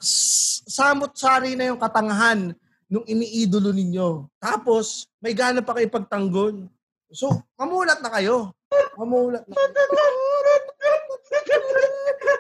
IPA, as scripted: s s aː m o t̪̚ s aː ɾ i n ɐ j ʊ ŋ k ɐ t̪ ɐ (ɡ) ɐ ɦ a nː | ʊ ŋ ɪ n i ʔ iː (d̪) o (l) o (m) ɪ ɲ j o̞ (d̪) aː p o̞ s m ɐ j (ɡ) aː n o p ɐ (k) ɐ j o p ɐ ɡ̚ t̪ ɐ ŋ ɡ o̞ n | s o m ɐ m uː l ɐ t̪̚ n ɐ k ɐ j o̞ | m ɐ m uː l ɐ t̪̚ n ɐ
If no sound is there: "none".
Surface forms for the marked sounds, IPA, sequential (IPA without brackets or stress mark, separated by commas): ŋ, d̪, l, n, t̪, ɡ, k